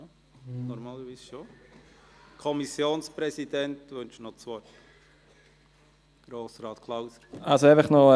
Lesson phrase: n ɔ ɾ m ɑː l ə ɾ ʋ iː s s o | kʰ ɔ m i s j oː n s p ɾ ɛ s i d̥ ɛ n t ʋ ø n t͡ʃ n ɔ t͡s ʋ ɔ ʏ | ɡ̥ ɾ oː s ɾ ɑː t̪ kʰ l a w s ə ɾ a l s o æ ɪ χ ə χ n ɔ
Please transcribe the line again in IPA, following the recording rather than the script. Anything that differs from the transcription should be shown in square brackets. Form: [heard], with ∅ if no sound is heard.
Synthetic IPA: n ɔ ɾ m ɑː l ə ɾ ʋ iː s [ʃ] o | kʰ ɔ m i s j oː n s p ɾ ɛ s i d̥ ɛ n t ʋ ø n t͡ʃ n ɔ t͡s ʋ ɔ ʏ | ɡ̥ ɾ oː s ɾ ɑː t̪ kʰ l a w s ə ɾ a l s o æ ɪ [f] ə χ n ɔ